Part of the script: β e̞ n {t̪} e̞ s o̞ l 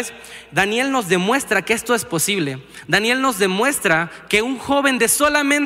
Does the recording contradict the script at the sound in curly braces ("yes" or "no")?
yes